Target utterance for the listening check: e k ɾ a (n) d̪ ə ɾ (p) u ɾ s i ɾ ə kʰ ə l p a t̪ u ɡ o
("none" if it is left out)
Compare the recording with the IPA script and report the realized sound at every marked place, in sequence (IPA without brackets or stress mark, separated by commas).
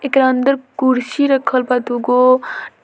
n, k